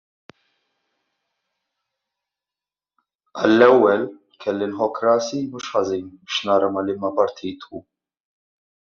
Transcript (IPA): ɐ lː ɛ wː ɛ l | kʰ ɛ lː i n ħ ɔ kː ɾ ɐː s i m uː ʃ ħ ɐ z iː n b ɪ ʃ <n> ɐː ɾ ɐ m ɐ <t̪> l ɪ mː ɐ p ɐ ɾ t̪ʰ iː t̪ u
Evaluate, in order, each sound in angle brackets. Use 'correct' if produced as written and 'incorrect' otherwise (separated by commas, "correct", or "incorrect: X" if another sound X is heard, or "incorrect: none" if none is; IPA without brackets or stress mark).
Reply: correct, incorrect: none